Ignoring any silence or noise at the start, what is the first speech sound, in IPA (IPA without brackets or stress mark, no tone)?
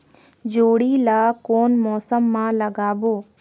d͡ʒ